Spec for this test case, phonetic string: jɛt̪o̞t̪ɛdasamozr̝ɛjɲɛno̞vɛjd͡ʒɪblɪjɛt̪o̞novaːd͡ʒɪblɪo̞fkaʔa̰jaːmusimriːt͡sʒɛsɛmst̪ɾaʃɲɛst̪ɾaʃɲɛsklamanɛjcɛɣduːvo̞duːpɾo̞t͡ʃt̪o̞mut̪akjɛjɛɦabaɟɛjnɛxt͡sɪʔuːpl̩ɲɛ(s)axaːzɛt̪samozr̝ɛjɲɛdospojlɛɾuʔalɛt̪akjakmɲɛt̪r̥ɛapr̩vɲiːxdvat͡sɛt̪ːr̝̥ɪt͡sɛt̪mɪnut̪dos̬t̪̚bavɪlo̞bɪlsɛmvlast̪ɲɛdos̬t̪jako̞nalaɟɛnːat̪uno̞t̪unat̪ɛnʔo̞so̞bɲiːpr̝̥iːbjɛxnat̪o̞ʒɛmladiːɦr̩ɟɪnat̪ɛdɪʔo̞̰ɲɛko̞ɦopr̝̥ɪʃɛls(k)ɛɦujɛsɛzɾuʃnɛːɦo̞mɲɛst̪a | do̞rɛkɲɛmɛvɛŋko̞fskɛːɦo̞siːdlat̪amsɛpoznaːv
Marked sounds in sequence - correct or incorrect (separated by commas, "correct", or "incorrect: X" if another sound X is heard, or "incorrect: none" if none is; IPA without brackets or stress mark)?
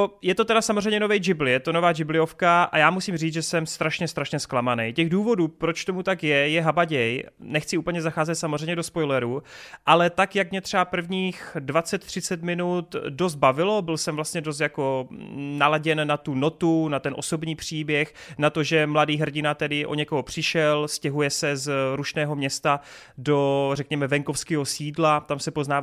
incorrect: z, incorrect: c